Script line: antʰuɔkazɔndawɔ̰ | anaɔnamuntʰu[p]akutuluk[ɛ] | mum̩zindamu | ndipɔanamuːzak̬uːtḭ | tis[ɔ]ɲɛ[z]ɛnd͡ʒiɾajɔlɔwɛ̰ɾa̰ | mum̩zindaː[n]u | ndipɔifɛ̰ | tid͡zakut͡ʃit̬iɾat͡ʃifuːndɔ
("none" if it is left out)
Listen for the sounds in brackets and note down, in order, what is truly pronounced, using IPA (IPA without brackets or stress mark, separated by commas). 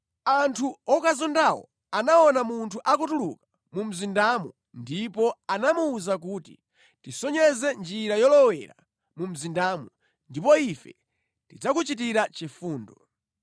ʔ, a, ɔ, z, m